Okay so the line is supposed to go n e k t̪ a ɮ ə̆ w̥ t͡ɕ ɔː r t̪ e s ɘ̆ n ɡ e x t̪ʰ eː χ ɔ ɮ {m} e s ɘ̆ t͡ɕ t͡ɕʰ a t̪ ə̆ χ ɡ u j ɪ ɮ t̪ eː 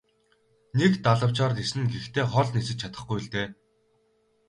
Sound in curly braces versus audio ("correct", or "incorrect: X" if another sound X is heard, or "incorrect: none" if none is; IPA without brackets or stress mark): incorrect: n